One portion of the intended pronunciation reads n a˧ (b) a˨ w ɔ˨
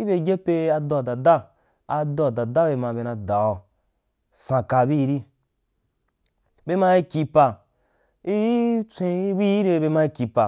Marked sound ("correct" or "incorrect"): incorrect